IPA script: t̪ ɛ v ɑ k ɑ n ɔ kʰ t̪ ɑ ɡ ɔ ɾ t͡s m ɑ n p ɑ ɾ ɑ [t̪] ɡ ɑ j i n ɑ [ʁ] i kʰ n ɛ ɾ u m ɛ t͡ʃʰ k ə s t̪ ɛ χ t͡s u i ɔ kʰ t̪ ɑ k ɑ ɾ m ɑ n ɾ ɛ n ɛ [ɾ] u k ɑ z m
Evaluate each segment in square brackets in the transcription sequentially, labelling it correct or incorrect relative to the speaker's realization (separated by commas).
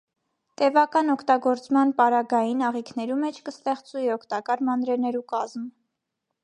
incorrect, correct, correct